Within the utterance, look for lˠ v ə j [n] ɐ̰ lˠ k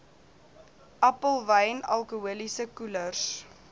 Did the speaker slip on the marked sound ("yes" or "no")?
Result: no